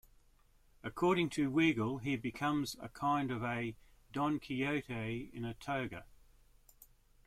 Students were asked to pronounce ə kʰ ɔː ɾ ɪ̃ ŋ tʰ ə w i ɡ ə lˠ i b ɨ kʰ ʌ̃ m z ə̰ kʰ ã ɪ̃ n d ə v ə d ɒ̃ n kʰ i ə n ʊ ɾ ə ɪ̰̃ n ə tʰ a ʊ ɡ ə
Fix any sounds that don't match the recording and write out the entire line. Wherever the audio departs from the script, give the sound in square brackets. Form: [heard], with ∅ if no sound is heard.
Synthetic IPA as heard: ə kʰ ɔː ɾ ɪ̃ ŋ tʰ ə w i ɡ ə lˠ i b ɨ kʰ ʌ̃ m z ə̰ kʰ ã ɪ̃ n d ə v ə d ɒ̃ n kʰ i ə [∅] ʊ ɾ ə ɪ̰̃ n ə tʰ [ə] ʊ ɡ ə